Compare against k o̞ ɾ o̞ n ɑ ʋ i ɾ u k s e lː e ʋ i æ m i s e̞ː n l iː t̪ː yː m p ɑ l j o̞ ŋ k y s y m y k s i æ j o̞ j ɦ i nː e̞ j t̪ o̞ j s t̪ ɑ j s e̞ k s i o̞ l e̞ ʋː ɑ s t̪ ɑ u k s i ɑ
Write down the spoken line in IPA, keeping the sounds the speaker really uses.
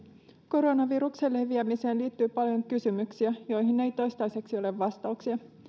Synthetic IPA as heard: k o̞ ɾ o̞ n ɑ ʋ i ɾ u k s e lː e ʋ i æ m i s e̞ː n l iː t̪ː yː p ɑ l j o̞ ŋ k y s y m y k s i æ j o̞ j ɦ i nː e̞ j t̪ o̞ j s t̪ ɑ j s e̞ k s i o̞ l e̞ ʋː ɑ s t̪ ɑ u k s i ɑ